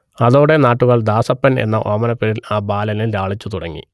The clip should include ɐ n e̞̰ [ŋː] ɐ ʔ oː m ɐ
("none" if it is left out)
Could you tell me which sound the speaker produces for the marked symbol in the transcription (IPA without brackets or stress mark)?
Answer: nː